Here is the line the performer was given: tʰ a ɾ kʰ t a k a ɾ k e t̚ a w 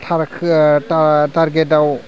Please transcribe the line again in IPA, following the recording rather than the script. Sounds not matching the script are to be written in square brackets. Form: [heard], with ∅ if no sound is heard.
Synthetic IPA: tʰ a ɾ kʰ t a [t] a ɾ [ɡ] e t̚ a w